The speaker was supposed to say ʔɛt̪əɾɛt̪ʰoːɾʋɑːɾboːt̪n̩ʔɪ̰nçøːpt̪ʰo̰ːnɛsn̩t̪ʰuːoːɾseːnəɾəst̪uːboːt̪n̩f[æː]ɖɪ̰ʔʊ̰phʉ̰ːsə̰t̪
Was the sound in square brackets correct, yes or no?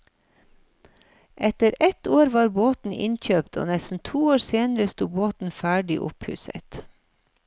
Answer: yes